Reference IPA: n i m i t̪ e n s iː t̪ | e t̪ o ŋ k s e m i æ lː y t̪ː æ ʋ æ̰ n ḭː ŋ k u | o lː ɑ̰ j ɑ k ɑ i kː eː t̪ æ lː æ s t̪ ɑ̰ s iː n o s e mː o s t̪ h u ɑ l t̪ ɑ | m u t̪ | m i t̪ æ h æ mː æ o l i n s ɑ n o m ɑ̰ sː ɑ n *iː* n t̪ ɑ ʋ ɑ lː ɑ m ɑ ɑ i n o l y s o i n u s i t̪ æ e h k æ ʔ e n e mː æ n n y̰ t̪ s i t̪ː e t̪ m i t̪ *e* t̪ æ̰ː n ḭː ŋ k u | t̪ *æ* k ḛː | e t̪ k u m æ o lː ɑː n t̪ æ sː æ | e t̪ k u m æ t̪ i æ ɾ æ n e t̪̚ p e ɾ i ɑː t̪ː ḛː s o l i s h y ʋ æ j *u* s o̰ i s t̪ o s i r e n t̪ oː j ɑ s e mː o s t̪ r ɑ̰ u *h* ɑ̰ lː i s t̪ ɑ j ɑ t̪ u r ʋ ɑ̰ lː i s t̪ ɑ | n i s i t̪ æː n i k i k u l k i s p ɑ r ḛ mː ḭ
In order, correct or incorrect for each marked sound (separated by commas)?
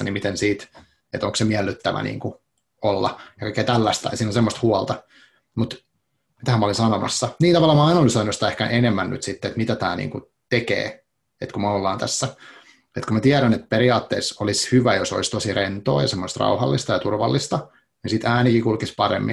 correct, incorrect, incorrect, incorrect, correct